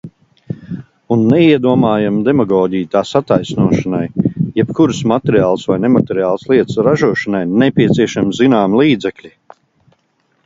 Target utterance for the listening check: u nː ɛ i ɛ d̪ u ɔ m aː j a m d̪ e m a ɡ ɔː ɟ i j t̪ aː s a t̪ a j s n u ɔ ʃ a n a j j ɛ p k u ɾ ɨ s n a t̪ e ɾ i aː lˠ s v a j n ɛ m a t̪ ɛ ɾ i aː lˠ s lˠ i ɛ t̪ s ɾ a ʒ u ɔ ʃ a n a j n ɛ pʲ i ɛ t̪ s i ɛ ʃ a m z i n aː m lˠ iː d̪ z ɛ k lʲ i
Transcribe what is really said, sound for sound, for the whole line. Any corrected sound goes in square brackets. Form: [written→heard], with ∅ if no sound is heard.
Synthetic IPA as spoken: u nː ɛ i ɛ d̪ u ɔ m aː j a m d̪ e m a ɡ ɔː ɟ i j t̪ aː s a t̪ a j s n u ɔ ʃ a n a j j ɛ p k u ɾ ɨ s [n→m] a t̪ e ɾ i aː lˠ s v a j n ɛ m a t̪ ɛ ɾ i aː lˠ s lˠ i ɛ t̪ s ɾ a ʒ u ɔ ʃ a n a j n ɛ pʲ i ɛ t̪ s i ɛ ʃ a m z i n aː m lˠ iː d̪ z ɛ k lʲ i